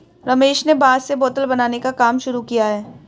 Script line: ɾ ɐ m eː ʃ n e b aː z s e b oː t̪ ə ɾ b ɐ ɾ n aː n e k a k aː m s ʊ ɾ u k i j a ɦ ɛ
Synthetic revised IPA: ɾ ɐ m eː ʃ n e b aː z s e b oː t̪ ə l b ɐ n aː n e k a k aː m ʃ ʊ ɾ u k i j a ɦ ɛː